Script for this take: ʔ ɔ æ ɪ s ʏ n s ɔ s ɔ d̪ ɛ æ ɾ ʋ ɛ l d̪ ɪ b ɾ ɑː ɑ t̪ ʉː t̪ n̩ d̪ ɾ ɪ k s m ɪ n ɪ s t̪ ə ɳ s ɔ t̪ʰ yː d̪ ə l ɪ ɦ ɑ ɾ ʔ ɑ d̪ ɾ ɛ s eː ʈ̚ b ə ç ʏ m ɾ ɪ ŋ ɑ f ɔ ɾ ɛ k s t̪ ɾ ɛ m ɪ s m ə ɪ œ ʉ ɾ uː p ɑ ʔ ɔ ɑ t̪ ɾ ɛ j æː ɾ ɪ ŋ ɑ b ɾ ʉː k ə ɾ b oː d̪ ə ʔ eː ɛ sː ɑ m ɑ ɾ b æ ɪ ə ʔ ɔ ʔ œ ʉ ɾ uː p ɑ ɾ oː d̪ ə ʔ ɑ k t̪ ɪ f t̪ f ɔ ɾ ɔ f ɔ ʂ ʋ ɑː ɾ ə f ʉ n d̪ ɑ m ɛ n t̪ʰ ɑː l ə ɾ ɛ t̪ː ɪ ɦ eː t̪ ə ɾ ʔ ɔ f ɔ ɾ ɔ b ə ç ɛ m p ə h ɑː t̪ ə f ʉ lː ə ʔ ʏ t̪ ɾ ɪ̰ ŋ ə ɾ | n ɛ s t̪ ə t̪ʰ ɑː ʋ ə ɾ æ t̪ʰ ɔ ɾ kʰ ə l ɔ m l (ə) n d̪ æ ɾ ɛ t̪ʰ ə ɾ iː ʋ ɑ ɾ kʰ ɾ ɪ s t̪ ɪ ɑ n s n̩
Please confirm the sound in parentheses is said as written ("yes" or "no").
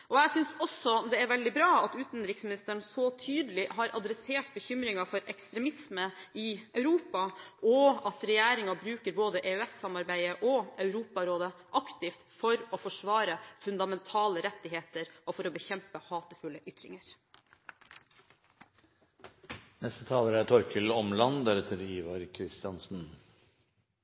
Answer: no